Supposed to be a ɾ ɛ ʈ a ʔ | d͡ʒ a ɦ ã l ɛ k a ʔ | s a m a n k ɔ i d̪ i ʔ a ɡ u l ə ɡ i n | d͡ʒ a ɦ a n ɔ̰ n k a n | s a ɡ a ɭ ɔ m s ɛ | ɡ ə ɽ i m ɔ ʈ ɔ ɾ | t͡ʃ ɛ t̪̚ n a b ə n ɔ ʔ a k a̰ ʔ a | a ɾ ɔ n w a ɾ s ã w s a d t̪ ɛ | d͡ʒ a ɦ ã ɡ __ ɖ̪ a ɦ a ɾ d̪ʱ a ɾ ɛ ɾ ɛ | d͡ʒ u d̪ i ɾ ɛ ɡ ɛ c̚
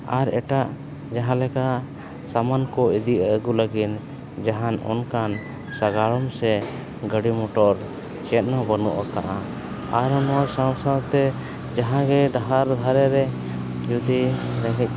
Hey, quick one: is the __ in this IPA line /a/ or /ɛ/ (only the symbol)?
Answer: ɛ